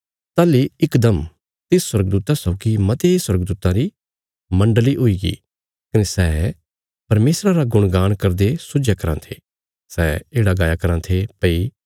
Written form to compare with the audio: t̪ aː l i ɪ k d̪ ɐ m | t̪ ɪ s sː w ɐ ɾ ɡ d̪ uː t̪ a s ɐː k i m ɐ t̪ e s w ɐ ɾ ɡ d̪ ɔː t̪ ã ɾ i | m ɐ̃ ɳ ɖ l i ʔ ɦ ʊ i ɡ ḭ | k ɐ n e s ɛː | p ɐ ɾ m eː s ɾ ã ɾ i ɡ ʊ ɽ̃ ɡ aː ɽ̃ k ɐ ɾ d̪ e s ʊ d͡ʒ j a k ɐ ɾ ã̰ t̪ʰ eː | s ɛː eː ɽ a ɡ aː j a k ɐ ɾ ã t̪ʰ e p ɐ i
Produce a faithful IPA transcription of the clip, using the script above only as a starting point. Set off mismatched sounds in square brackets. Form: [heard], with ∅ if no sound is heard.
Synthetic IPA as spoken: t̪ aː l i ɪ k d̪ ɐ m | t̪ ɪ s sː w ɐ ɾ ɡ d̪ uː t̪ a s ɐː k i m ɐ t̪ e s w ɐ ɾ ɡ d̪ [uː] t̪ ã ɾ i | m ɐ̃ ɳ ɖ l i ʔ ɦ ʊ i ɡ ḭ | k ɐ n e s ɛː | p ɐ ɾ m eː s ɾ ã ɾ [a] ɡ ʊ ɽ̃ ɡ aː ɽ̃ k ɐ ɾ d̪ e s ʊ d͡ʒ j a k ɐ ɾ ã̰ t̪ʰ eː | s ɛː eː ɽ a ɡ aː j a k ɐ ɾ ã t̪ʰ e p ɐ i